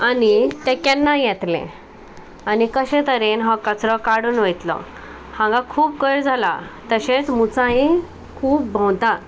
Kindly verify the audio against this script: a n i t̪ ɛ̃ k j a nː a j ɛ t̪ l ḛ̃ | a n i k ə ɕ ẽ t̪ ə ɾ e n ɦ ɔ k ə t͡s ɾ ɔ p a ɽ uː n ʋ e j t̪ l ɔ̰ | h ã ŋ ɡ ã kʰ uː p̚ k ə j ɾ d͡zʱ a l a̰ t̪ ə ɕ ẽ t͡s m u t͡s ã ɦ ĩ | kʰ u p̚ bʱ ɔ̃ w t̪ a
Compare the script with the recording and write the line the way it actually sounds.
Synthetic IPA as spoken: a n i t̪ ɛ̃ k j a nː a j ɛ t̪ l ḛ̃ | a n i k ə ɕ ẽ t̪ ə ɾ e n ɦ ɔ k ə t͡s ɾ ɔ k a ɽ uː n ʋ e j t̪ l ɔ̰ | h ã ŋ ɡ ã kʰ uː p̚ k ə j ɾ d͡zʱ a l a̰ t̪ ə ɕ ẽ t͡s m u t͡s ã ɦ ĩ | kʰ uː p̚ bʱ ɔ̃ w t̪ a